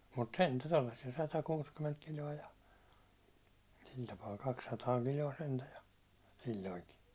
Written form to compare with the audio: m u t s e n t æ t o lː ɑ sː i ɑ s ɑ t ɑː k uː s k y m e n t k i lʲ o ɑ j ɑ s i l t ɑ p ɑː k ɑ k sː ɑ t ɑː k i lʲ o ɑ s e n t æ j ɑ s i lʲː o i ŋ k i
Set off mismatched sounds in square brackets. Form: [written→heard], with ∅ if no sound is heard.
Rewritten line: m u t s e n t æ t o lː ɑ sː i ɑ s ɑ t [ɑː→ɑ] k uː s k y m e n t k i lʲ o ɑ j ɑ s i l t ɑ p ɑː k ɑ k sː ɑ t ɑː k i lʲ o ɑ s e n t æ j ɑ s i lʲː o i ŋ k i